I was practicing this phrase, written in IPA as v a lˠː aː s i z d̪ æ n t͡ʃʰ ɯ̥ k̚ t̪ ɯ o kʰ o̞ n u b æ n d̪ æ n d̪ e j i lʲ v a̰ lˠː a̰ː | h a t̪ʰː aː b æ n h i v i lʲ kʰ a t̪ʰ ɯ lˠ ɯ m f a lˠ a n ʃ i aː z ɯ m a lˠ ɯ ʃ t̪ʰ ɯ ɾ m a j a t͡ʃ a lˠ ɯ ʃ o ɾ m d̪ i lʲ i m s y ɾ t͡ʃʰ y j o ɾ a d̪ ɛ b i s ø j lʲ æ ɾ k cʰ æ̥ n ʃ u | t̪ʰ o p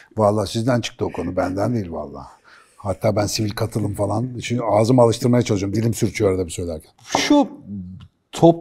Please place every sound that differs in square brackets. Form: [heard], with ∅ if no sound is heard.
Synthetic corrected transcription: v a lˠː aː s i z d̪ æ n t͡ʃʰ ɯ̥ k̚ t̪ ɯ o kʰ o̞ n u b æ n d̪ æ n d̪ e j i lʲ v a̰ lˠː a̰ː | h a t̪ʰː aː b æ n [s] i v i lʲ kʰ a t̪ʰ ɯ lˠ ɯ m f a lˠ a n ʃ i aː z ɯ m a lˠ ɯ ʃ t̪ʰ ɯ ɾ m a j a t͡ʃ a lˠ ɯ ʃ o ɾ m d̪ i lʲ i m s y ɾ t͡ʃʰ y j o ɾ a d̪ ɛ b i s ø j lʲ æ ɾ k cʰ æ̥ n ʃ u | t̪ʰ o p